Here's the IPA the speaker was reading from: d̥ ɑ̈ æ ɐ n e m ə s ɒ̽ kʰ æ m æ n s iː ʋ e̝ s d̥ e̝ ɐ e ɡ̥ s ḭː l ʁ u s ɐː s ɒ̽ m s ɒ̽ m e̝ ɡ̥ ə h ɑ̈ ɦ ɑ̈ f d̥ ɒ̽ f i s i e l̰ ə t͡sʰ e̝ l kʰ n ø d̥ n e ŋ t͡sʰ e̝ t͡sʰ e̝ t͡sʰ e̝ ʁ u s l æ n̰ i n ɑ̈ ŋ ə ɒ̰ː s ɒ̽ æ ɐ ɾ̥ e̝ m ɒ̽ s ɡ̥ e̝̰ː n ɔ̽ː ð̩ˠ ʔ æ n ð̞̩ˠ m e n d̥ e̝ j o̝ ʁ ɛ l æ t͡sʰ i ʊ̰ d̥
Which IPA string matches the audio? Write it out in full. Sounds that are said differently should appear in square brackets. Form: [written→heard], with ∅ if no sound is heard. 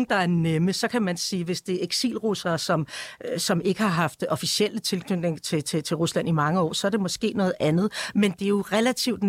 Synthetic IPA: d̥ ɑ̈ æ ɐ n e m ə s ɒ̽ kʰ æ m æ n s iː ʋ e̝ s d̥ e̝ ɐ e ɡ̥ s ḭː l ʁ u s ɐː s ɒ̽ m s ɒ̽ m e̝ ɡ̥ ə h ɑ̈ ɦ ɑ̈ f d̥ ɒ̽ f i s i e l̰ ə t͡sʰ e̝ l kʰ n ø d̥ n e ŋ t͡sʰ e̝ t͡sʰ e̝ t͡sʰ e̝ ʁ u s l æ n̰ i [n→m] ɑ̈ ŋ ə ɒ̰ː s ɒ̽ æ ɐ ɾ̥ e̝ m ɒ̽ s ɡ̥ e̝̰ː n ɔ̽ː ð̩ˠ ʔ æ n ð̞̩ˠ m e n d̥ e̝ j o̝ ʁ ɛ l æ t͡sʰ i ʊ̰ d̥